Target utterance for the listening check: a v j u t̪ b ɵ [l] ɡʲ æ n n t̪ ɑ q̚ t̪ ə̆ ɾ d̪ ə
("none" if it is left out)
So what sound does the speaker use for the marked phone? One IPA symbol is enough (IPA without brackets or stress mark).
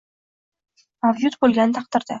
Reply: l